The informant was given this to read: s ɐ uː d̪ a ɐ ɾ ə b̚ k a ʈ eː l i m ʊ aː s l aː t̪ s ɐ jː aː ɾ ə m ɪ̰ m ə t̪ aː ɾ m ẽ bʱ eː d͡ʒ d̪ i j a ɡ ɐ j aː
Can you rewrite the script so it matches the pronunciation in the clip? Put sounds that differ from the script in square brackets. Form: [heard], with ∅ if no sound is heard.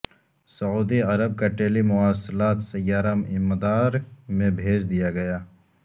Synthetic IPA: s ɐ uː d̪ [i] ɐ ɾ ə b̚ k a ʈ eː l i m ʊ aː s l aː t̪ s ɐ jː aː ɾ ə m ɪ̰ m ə [d̪] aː ɾ m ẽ bʱ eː d͡ʒ d̪ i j a ɡ ɐ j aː